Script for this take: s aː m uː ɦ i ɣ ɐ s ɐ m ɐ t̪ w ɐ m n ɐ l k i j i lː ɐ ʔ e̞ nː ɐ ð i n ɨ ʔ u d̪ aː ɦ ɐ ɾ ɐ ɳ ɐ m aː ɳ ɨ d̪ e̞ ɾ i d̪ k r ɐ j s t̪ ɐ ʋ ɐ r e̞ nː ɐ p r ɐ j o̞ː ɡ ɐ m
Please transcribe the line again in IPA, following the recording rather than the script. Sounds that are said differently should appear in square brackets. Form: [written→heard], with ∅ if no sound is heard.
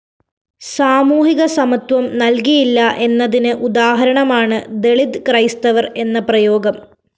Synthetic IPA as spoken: s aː m uː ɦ i ɣ ɐ s ɐ m ɐ t̪ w ɐ m n ɐ l k i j i lː ɐ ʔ e̞ nː ɐ ð i n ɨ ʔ u d̪ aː ɦ ɐ ɾ ɐ ɳ ɐ m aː ɳ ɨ d̪ e̞ [ɾ→ɭ] i d̪ k r ɐ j s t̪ ɐ ʋ ɐ r e̞ nː ɐ p r ɐ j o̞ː ɡ ɐ m